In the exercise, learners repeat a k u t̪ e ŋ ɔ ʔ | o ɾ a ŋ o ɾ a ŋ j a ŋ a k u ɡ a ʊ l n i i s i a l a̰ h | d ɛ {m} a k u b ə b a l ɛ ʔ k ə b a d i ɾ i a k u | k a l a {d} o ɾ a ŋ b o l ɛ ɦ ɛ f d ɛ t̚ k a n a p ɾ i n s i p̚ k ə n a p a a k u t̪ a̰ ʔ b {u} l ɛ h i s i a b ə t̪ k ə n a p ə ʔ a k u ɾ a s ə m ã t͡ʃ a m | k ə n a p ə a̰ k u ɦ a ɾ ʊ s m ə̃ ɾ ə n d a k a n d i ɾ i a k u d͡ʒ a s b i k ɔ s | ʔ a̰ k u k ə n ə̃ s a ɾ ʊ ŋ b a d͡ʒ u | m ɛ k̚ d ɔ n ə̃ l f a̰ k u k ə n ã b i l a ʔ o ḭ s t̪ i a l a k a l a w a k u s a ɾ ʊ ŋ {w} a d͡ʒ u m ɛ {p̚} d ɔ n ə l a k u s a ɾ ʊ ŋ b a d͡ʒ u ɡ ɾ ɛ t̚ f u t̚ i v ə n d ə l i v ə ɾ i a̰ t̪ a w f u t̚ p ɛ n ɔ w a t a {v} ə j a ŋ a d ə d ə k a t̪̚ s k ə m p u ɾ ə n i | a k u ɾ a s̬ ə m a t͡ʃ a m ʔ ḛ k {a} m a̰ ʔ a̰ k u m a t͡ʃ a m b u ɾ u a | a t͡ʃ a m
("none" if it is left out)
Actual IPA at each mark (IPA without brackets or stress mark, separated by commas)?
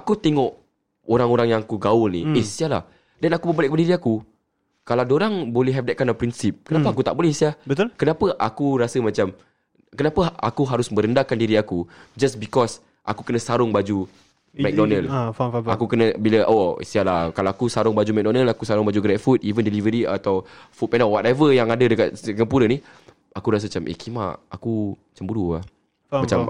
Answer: n, d, o, b, k̚, v, i